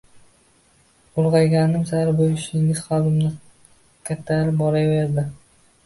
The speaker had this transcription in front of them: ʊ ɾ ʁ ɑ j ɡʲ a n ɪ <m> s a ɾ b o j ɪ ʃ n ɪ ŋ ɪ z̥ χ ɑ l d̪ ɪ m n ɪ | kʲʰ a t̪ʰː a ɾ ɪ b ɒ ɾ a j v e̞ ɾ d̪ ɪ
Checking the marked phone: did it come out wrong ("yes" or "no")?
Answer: no